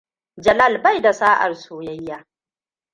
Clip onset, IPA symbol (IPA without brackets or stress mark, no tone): d͡ʒ